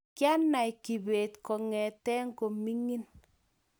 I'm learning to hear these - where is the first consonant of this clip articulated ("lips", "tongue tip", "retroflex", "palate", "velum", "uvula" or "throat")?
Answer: velum